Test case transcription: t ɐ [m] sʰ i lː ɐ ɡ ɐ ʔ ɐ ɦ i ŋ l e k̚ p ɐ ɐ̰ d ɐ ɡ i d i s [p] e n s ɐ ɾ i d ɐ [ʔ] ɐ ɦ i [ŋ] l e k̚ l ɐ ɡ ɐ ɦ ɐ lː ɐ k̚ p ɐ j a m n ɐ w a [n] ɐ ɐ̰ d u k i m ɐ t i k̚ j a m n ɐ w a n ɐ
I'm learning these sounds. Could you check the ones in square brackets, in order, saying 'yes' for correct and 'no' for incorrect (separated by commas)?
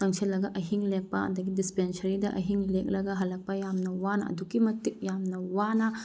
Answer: no, yes, yes, yes, yes